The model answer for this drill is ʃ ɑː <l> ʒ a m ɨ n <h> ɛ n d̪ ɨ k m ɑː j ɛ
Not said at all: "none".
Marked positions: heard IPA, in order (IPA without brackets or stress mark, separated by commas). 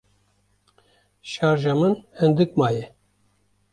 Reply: ɾ, h